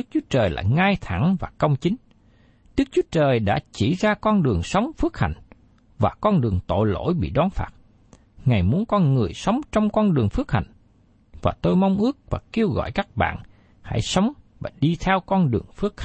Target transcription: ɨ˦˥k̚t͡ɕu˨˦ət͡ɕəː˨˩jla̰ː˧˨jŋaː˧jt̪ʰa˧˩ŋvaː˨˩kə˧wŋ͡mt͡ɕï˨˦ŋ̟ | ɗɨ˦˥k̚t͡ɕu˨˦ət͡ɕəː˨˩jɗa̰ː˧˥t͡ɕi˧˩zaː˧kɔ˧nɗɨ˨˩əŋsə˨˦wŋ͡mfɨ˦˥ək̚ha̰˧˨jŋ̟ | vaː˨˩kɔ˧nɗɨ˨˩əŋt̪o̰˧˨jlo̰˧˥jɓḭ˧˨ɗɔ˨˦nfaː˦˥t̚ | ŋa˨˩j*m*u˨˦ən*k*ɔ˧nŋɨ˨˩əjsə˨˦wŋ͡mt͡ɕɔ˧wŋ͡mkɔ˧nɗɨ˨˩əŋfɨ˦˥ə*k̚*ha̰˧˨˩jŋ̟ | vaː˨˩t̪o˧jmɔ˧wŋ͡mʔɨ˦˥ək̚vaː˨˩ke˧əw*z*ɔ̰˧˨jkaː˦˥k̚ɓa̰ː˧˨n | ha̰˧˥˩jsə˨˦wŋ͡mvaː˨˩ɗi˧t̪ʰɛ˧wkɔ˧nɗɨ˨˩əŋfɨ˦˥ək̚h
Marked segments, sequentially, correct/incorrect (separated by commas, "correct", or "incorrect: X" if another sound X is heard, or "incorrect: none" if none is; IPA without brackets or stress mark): correct, correct, correct, incorrect: ɣ